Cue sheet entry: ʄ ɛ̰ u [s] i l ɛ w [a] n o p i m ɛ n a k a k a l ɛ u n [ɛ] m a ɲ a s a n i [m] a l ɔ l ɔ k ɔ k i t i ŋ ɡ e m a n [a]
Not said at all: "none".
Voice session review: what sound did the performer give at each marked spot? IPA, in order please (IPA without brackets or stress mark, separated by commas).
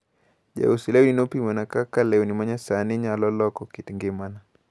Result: s, i, i, ɲ, a